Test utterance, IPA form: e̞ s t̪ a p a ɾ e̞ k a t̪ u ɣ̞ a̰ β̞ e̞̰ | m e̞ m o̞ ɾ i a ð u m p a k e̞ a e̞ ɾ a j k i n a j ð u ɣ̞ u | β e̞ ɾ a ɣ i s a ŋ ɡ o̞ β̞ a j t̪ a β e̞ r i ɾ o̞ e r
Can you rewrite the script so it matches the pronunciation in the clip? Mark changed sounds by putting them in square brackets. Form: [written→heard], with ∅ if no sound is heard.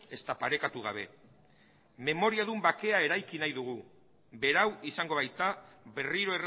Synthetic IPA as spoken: e̞ s t̪ a p a ɾ e̞ k a t̪ u ɣ̞ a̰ β̞ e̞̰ | m e̞ m o̞ ɾ i a ð u m [p→b] a k e̞ a e̞ ɾ a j k i n a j ð u ɣ̞ u | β e̞ ɾ a [ɣ→w] i s a ŋ ɡ o̞ β̞ a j t̪ a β e̞ r i ɾ o̞ e r